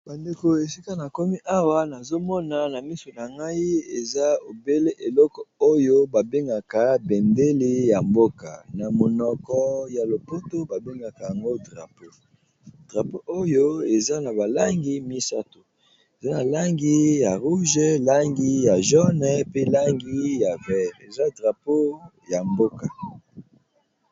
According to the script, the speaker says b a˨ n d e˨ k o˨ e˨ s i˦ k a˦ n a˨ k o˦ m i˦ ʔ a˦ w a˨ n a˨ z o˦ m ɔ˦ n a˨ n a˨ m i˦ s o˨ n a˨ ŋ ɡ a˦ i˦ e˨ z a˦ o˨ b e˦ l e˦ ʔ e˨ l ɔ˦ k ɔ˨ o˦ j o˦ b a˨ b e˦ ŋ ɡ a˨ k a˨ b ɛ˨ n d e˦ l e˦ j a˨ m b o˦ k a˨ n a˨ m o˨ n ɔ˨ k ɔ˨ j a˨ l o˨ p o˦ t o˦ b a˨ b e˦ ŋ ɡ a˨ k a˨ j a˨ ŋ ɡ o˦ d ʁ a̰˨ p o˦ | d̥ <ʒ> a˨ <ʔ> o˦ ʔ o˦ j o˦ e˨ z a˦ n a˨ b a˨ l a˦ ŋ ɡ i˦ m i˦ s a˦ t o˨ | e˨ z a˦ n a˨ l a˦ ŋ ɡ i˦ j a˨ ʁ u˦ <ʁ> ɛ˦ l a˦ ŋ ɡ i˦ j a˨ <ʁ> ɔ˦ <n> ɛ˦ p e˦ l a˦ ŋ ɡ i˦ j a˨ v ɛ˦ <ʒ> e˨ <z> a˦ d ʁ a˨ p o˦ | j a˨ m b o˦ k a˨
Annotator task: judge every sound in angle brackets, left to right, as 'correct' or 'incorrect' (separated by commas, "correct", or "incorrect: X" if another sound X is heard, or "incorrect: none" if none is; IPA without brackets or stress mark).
incorrect: ʁ, incorrect: p, incorrect: ʒ, incorrect: ʒ, correct, incorrect: ʁ, correct